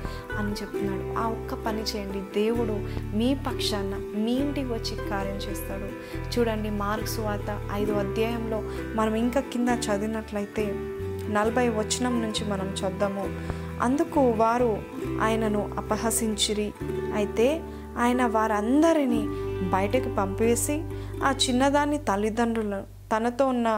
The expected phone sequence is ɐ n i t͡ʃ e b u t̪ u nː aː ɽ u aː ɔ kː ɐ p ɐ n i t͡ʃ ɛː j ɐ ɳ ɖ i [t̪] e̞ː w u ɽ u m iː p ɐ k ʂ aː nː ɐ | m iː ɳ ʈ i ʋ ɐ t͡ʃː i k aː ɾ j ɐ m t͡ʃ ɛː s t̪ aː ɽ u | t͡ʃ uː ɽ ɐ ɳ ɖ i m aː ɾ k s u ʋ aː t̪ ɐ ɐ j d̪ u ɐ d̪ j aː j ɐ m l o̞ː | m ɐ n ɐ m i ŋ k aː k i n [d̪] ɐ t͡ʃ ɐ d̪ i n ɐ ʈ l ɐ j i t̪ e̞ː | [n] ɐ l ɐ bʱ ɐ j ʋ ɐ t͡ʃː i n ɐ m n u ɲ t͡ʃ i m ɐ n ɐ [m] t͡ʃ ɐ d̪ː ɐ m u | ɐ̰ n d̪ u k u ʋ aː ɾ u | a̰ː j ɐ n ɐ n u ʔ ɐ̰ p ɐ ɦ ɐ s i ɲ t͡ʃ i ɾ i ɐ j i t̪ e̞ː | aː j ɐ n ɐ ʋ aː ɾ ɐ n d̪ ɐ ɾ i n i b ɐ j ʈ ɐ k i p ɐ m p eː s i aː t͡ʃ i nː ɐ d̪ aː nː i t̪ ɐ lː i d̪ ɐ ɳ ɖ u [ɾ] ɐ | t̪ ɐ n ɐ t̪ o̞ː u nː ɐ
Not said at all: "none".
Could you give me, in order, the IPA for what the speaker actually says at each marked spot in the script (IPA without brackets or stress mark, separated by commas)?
d̪, d̪, n, m, l